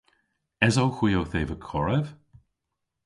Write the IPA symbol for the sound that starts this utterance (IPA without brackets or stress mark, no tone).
ɛ